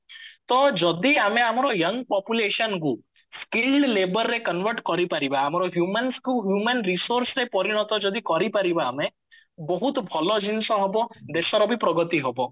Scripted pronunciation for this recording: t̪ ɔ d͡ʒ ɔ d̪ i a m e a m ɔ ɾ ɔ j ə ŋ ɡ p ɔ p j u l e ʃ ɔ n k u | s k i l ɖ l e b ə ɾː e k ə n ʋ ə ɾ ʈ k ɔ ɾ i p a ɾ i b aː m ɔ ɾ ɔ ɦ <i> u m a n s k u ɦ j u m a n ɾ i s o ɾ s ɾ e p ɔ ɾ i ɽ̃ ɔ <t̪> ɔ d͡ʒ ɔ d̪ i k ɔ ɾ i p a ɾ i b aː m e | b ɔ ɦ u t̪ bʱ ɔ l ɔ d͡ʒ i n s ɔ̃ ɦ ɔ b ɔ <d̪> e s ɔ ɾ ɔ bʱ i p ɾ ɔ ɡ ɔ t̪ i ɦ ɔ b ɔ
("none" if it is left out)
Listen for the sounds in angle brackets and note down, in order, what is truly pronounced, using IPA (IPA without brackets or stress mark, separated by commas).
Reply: j, t̪, d̪